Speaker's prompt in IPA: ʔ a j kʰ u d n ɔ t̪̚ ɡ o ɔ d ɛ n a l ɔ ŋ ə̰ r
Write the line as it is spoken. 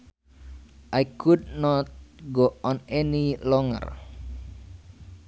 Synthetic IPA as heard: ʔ a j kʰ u d n ɔ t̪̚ ɡ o ɔ n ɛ n i l ɔ ŋ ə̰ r

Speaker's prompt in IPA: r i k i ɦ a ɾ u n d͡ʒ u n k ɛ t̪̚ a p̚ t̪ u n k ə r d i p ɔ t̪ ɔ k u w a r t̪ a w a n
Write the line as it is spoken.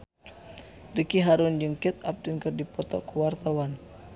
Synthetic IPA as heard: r i k i ɦ a ɾ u n d͡ʒ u ŋ k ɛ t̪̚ a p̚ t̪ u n k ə r d i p ɔ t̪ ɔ k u w a r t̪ a w a n

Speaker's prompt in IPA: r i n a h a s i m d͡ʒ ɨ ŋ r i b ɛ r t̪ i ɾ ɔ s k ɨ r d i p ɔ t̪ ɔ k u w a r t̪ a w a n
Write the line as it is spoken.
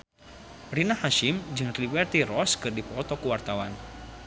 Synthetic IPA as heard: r i n a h a ʃ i m d͡ʒ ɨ ŋ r i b ɛ r t̪ i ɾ ɔ s k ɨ r d i p ɔ t̪ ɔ k u w a r t̪ a w a n

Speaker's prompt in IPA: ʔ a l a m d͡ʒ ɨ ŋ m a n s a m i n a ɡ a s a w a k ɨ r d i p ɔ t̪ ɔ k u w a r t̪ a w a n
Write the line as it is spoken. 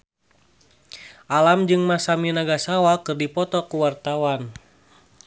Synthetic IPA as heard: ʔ a l a m d͡ʒ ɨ ŋ m a s a m i n a ɡ a s a w a k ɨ r d i p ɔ t̪ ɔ k u w a r t̪ a w a n

